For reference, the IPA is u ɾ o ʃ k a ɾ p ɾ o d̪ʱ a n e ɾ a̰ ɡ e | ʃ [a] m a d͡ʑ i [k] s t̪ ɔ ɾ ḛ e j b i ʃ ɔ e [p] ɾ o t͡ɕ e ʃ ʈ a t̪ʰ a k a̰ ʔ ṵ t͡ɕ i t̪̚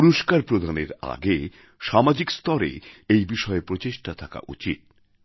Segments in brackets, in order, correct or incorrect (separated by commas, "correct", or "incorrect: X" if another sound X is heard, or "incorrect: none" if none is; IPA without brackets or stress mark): correct, correct, correct